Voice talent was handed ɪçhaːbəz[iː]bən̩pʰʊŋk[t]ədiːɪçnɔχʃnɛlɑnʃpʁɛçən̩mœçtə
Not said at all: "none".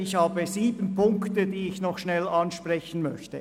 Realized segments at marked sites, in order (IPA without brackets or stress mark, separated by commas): iː, t